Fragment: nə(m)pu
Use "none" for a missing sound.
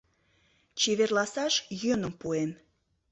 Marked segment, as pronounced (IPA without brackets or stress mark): m